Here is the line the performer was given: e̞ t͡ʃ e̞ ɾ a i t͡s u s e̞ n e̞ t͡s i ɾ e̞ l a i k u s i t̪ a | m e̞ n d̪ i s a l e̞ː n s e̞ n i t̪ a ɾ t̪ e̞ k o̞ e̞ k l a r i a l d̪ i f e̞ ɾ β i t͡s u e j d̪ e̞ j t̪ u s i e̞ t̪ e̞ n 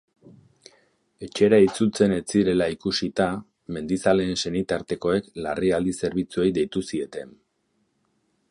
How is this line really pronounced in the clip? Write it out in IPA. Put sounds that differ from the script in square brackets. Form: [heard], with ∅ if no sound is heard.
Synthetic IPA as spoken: e̞ t͡ʃ e̞ ɾ a i t͡s u [t͡s] e̞ n e̞ t͡s i ɾ e̞ l a i k u s i t̪ a | m e̞ n d̪ i s a l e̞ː n s e̞ n i t̪ a ɾ t̪ e̞ k o̞ e̞ k l a r i a l d̪ i [s] e̞ ɾ β i t͡s u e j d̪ e̞ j t̪ u s i e̞ t̪ e̞ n